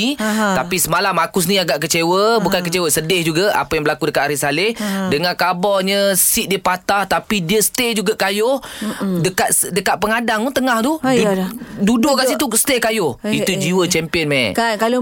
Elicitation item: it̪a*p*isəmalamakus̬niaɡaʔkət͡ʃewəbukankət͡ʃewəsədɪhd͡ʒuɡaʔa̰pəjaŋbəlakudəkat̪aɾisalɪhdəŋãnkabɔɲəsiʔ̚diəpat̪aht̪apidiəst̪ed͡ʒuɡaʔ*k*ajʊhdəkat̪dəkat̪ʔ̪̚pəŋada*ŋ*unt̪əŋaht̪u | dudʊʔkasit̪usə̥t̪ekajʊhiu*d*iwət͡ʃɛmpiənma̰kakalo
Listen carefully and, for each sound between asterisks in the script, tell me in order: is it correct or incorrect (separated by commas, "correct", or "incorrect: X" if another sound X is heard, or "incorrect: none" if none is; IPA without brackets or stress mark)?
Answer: correct, correct, correct, incorrect: d͡ʒ